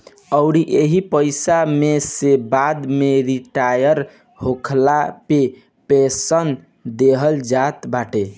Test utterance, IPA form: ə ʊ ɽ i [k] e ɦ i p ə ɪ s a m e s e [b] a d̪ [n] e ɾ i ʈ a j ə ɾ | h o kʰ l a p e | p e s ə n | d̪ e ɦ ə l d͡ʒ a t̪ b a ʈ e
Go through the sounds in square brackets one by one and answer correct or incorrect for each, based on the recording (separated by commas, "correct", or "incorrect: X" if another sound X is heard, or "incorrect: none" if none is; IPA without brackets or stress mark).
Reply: incorrect: ʔ, correct, incorrect: m